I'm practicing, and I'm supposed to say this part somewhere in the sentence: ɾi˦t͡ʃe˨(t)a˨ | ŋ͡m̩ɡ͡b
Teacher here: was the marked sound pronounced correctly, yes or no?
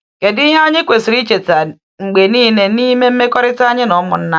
yes